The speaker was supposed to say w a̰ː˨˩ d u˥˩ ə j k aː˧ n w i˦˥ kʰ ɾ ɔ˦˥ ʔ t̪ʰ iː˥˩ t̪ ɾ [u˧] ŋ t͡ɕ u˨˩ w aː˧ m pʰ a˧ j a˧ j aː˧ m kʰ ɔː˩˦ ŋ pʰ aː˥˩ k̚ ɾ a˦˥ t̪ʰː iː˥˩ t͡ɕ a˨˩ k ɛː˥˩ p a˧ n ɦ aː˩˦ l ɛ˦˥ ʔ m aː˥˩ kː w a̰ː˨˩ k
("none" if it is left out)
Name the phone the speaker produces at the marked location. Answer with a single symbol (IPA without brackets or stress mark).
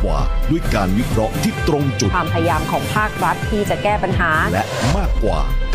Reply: o˧